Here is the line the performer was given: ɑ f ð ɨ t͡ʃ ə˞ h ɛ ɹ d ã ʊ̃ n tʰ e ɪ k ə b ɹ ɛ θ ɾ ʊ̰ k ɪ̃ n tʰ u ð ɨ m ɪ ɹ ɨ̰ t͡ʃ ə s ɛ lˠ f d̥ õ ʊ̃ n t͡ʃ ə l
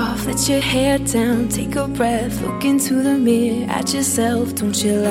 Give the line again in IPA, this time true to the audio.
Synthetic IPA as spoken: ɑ f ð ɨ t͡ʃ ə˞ h ɛ ɹ d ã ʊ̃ n tʰ e ɪ k ə b ɹ ɛ θ l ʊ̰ k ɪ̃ n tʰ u ð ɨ m ɪ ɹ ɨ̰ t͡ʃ ə s ɛ lˠ f d̥ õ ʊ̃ n t͡ʃ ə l